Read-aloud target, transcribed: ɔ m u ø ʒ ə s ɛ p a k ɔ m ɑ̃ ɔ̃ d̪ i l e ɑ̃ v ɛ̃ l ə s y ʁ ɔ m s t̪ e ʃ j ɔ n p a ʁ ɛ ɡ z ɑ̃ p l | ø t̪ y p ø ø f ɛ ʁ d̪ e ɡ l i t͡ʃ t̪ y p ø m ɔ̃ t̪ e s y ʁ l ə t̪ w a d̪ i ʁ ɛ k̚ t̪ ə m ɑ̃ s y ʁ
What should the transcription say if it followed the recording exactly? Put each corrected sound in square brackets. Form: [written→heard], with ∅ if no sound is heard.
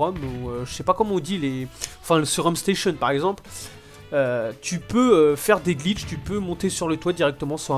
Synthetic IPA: ɔ m u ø ʒ ə s ɛ p a k ɔ m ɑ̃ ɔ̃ d̪ i l e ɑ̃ [v→f] ɛ̃ l ə s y ʁ ɔ m s t̪ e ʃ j ɔ n p a ʁ ɛ ɡ z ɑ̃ p l | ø t̪ y p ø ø f ɛ ʁ d̪ e ɡ l i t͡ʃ t̪ y p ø m ɔ̃ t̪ e s y ʁ l ə t̪ w a d̪ i ʁ ɛ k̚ t̪ ə m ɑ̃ s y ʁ